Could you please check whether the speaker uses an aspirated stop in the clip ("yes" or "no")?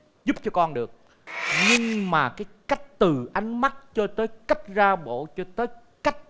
no